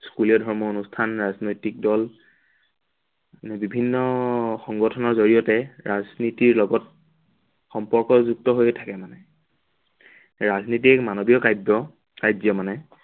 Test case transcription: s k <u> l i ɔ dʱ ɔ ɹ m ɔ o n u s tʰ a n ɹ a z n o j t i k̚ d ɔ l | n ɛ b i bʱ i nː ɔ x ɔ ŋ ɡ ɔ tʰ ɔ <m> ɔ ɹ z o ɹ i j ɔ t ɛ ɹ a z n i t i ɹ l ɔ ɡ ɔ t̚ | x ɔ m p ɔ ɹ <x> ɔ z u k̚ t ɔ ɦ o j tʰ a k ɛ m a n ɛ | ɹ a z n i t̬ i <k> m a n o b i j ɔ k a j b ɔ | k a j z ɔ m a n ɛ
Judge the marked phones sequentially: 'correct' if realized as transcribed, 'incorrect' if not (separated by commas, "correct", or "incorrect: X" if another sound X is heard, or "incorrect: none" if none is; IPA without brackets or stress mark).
correct, incorrect: n, incorrect: k, correct